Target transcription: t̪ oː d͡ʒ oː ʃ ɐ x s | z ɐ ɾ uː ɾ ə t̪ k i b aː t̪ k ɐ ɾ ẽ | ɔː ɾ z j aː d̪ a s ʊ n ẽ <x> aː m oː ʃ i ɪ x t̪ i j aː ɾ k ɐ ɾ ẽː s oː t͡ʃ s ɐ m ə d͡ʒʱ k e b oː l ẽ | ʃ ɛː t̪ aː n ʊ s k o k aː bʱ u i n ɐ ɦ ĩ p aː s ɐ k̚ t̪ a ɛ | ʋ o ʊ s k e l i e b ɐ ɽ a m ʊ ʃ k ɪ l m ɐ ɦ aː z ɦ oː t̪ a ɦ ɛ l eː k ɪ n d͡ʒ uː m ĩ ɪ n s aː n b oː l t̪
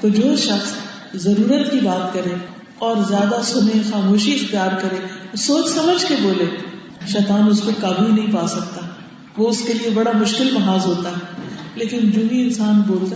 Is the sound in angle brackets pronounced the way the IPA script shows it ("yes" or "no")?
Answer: yes